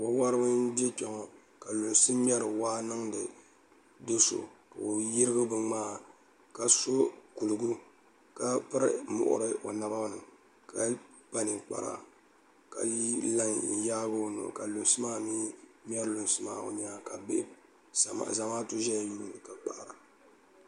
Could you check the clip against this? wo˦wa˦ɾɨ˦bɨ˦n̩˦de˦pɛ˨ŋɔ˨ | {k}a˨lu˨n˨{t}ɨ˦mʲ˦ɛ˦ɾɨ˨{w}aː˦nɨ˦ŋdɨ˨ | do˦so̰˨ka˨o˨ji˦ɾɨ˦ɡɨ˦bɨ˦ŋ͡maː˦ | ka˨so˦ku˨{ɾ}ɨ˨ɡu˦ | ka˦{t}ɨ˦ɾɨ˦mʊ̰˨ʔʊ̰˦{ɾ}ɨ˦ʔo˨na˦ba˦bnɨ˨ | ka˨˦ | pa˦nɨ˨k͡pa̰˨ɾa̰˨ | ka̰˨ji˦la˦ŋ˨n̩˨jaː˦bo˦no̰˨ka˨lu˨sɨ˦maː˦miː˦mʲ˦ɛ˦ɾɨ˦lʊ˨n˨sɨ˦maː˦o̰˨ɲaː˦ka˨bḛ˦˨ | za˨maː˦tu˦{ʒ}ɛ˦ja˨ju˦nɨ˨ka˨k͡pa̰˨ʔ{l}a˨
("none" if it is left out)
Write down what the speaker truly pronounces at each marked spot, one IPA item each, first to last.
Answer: k, s, w, l, p, ɾ, ʒ, ɾ

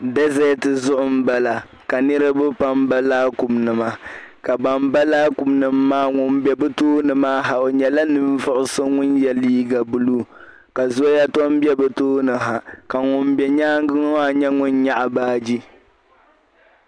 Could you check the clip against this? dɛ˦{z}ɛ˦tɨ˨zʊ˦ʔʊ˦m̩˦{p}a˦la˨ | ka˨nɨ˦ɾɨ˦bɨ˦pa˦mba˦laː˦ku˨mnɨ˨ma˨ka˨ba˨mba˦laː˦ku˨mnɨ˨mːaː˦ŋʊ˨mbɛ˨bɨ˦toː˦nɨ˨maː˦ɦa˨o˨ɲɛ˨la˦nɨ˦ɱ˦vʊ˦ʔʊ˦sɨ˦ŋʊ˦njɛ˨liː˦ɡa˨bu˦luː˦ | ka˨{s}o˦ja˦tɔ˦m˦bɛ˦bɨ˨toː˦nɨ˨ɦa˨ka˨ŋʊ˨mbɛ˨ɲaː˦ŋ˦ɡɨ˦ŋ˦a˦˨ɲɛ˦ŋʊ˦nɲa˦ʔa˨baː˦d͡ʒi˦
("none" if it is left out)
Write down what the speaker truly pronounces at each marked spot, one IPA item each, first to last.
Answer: z, b, z

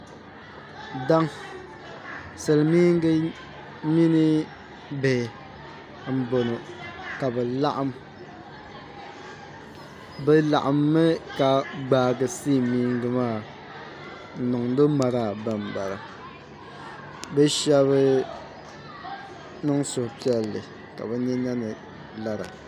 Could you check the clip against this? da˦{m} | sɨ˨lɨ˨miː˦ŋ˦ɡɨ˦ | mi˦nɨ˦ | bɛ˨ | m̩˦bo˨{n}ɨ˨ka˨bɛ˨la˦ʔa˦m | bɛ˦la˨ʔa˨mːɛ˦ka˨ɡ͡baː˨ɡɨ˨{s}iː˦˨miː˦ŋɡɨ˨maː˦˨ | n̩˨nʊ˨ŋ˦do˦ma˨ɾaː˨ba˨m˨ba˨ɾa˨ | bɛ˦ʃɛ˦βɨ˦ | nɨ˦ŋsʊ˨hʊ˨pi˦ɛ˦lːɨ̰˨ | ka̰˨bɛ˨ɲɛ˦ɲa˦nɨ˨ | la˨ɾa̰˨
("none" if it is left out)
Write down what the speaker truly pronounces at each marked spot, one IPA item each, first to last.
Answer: ŋ, n, s

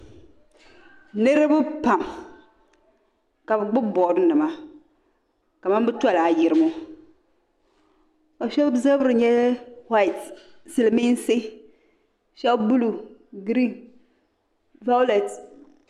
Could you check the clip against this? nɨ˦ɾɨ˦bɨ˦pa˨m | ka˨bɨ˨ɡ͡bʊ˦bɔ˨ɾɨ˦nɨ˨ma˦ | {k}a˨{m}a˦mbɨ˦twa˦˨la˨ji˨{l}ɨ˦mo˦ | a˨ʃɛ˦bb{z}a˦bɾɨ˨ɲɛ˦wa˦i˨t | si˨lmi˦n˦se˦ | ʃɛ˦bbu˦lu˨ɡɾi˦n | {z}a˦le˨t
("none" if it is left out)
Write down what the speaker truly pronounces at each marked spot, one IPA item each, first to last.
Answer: k, m, ɾ, z, v

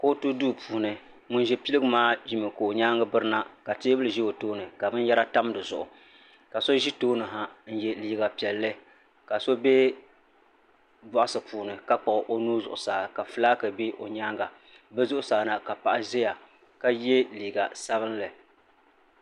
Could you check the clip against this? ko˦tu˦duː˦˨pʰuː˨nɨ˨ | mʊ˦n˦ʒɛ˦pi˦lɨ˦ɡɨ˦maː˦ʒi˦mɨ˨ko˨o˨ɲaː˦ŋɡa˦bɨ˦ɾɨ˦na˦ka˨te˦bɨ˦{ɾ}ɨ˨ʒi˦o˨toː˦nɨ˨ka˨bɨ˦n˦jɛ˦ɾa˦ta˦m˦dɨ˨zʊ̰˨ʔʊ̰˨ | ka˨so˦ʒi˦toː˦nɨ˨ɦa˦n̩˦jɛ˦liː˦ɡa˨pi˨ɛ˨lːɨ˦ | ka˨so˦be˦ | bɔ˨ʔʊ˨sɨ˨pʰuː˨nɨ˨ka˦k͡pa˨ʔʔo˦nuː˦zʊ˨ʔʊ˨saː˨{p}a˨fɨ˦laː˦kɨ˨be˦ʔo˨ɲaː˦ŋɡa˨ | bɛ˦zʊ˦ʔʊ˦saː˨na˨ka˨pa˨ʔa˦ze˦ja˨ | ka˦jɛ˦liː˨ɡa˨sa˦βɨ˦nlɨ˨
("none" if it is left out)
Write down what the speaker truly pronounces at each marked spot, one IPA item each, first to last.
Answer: l, k

